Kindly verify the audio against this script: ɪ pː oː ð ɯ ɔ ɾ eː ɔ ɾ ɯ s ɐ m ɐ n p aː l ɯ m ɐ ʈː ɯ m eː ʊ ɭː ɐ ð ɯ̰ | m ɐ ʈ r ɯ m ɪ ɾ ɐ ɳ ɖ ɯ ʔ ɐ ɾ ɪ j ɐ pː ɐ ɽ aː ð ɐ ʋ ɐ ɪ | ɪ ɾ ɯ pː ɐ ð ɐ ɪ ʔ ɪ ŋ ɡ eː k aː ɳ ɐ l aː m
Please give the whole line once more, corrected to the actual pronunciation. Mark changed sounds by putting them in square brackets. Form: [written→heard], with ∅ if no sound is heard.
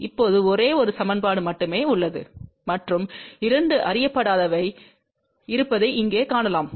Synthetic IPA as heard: ɪ pː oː ð ɯ ɔ ɾ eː ɔ ɾ ɯ s ɐ m ɐ n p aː [l→ɽ] ɯ m ɐ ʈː ɯ m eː ʊ ɭː ɐ ð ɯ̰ | m ɐ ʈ r ɯ m ɪ ɾ ɐ ɳ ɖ ɯ ʔ ɐ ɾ ɪ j ɐ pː ɐ ɽ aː ð ɐ ʋ ɐ ɪ | ɪ ɾ ɯ pː ɐ ð ɐ ɪ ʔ ɪ ŋ ɡ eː k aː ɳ ɐ l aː m